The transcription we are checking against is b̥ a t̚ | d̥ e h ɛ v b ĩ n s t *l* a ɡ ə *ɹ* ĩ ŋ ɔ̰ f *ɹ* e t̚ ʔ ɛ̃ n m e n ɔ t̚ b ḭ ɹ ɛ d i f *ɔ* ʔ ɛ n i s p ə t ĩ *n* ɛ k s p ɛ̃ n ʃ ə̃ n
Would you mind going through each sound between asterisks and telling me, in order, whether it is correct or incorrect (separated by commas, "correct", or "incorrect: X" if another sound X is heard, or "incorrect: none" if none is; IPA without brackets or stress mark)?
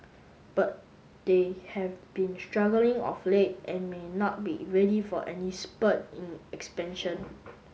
incorrect: ɹ, incorrect: l, incorrect: l, correct, correct